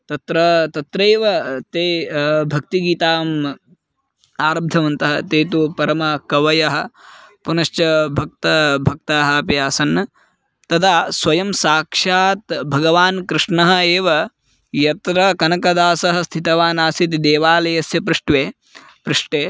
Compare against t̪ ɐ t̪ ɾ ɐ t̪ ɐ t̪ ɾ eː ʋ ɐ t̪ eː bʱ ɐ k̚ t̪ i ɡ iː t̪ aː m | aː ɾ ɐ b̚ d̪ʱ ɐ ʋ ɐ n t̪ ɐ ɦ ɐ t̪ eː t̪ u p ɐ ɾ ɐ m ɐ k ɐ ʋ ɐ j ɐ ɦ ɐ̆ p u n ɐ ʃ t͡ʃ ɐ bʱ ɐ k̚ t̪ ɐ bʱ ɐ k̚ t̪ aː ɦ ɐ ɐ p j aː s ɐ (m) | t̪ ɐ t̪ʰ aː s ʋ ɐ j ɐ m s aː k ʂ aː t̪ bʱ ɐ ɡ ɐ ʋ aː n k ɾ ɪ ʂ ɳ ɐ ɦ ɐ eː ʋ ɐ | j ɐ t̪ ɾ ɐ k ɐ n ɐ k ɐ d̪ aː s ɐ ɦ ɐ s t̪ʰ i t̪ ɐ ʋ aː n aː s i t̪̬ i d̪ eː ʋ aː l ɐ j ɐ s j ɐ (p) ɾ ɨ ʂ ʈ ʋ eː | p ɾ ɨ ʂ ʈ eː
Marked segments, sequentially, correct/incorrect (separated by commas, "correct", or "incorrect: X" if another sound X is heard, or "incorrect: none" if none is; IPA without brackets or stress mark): incorrect: n, correct